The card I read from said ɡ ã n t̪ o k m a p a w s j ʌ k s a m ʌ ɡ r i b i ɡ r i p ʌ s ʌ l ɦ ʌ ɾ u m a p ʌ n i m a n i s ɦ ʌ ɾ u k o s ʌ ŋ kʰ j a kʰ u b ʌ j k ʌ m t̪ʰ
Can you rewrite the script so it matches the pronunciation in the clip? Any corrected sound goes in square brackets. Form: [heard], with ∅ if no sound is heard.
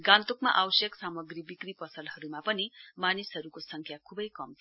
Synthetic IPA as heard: ɡ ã n t̪ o k m a [ʔ] a w s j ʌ k s a m ʌ ɡ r i b i [k] r i p ʌ s ʌ l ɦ ʌ ɾ u m a p ʌ n i m a n i s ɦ ʌ ɾ u k o s ʌ ŋ kʰ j a kʰ u b ʌ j k ʌ m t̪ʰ